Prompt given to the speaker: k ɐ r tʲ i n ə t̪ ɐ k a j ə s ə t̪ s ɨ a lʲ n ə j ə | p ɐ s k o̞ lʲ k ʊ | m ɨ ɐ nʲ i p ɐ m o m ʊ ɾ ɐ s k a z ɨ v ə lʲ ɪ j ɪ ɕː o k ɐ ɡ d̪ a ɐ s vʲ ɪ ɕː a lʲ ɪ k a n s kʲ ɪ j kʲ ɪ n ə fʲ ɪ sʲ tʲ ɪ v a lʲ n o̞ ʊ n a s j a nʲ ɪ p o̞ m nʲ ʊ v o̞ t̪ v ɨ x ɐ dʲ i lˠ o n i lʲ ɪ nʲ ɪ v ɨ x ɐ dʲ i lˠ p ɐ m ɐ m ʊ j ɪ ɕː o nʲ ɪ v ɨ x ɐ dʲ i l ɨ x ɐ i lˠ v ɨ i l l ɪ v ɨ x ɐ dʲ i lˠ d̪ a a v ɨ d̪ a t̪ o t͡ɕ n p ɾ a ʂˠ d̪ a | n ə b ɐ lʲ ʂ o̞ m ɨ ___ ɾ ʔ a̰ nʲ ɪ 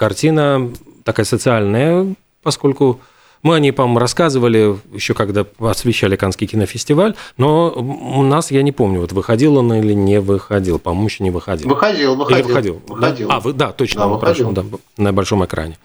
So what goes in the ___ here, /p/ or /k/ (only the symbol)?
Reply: k